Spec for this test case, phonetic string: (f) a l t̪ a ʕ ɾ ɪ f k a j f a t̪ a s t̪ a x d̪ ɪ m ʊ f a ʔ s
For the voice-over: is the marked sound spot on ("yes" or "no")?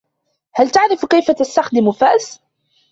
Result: no